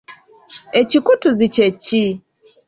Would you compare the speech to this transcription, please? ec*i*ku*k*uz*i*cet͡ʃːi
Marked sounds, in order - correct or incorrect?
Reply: correct, incorrect, correct

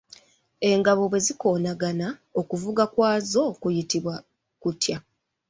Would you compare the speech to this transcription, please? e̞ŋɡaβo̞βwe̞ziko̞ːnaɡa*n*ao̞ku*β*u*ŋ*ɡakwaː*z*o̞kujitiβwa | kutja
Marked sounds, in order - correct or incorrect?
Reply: correct, incorrect, incorrect, correct

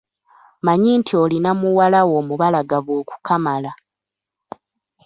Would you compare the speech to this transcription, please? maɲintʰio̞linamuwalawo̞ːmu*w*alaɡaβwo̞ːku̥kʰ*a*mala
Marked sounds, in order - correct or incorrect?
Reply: incorrect, correct

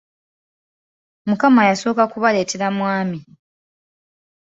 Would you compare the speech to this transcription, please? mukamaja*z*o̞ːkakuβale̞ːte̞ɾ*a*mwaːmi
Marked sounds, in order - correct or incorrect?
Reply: incorrect, correct

